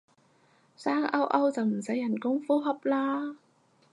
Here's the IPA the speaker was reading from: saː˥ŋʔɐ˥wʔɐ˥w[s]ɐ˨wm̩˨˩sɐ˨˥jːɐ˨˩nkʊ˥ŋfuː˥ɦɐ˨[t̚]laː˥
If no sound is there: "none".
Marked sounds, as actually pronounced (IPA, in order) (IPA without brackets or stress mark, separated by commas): t͡s, p̚